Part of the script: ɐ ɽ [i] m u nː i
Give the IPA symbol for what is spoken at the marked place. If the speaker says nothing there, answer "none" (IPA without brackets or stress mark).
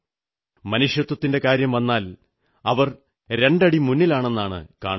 i